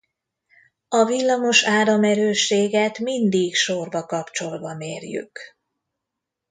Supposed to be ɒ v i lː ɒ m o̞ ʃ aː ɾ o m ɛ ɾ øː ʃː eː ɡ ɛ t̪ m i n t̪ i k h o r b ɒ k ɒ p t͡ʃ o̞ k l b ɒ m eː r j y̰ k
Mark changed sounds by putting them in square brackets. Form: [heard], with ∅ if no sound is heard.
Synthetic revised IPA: ɒ v i lː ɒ m o̞ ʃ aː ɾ [ɒ] m ɛ ɾ øː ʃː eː ɡ ɛ t̪ m i n [d̪] i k [ʃ] o r b ɒ k ɒ p t͡ʃ o̞ [∅] l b ɒ m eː r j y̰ k